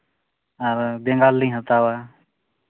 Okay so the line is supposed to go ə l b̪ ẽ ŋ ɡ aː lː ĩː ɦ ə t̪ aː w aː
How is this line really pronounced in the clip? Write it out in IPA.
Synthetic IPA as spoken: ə ɾ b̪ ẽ ŋ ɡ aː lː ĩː ɦ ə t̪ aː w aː